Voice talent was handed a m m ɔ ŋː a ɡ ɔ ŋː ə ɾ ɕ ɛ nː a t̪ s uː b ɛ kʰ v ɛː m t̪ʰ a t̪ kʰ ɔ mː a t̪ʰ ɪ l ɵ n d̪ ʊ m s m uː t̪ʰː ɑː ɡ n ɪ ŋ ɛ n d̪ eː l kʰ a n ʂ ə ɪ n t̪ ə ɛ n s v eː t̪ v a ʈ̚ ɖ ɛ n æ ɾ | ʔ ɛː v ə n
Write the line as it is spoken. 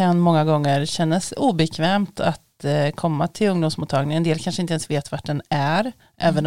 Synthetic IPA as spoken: a n m ɔ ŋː a ɡ ɔ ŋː ə ɾ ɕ ɛ nː a s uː b ɛ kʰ v ɛː m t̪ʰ a t̪ kʰ ɔ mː a t̪ʰ ɪ l ɵ ŋ d̪ ʊ m s m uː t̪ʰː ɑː ɡ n ɪ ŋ ɛ n d̪ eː l kʰ a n ʂ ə ɪ n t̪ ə ɛ n s v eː t̪ v a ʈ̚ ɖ ɛ n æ ɾ | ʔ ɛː v ə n